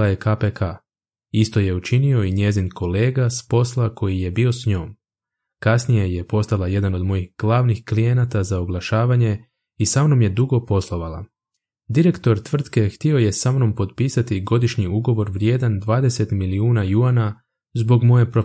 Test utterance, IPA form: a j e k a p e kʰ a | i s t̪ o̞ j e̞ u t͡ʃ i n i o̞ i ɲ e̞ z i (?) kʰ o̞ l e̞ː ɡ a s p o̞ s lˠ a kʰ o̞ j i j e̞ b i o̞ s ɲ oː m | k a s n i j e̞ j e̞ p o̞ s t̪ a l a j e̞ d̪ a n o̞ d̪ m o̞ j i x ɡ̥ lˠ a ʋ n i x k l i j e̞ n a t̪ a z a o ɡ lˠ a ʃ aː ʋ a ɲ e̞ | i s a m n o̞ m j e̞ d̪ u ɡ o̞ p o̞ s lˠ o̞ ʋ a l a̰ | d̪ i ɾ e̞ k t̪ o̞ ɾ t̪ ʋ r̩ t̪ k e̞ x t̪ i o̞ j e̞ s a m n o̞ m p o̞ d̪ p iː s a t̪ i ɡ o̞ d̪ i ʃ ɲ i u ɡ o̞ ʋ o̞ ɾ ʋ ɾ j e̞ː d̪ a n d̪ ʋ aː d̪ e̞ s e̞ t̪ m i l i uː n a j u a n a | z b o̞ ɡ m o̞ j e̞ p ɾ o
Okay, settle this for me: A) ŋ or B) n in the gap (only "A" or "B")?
B